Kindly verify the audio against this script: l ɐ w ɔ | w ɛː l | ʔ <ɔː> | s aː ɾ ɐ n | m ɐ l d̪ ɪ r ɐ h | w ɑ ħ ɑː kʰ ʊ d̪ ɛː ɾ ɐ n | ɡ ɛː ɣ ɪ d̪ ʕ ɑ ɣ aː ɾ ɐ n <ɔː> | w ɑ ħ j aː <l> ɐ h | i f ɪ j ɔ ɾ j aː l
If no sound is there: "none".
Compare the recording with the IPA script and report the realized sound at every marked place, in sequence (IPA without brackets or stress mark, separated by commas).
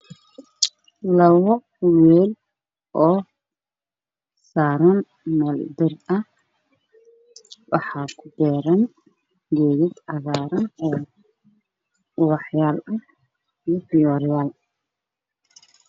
ɔː, ɔː, l